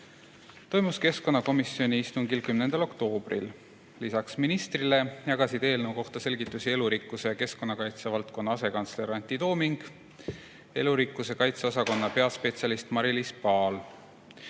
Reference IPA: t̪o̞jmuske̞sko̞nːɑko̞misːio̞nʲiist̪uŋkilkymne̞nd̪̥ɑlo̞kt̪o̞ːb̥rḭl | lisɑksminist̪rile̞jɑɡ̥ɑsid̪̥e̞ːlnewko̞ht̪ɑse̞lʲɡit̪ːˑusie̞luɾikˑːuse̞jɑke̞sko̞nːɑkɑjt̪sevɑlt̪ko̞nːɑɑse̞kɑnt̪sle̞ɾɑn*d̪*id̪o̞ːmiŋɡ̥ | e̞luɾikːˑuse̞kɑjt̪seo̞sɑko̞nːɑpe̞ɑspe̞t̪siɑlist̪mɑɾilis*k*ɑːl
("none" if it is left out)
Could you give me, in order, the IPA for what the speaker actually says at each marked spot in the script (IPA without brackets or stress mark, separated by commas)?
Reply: t̪, p